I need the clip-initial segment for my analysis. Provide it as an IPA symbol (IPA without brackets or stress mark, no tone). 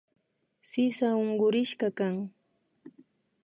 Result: s